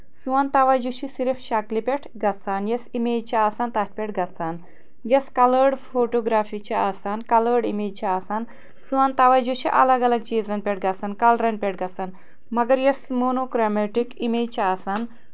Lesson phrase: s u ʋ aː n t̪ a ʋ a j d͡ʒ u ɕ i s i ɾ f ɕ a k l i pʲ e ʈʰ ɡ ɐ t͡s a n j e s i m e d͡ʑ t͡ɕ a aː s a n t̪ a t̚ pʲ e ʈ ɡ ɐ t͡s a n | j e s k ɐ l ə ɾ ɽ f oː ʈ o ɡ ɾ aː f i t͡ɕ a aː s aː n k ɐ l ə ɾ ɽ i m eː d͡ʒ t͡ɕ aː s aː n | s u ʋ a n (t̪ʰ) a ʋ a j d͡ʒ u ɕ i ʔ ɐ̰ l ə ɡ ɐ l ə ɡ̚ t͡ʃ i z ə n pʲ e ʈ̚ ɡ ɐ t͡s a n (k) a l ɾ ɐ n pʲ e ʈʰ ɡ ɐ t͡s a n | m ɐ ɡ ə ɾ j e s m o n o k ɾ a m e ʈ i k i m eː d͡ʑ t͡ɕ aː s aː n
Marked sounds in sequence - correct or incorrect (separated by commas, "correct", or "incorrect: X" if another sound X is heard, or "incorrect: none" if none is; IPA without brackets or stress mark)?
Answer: incorrect: t̪, correct